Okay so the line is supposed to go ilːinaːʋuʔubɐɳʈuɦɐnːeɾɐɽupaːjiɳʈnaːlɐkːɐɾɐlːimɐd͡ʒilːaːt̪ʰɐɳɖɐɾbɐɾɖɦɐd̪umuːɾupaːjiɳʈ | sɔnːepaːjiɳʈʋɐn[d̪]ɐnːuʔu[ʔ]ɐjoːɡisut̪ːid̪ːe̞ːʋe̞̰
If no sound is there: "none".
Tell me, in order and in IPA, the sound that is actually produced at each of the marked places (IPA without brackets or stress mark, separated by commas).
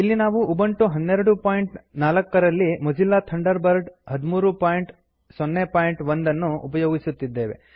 d̪, p